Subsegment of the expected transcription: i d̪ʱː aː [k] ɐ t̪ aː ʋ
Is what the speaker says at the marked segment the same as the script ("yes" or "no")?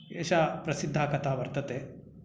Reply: yes